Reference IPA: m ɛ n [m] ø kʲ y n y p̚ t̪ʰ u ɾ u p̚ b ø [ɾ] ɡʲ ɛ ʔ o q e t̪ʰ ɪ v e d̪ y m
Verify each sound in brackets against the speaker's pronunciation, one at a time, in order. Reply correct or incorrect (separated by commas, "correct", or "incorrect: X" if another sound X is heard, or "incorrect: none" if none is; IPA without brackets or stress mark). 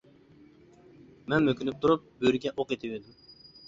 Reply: correct, correct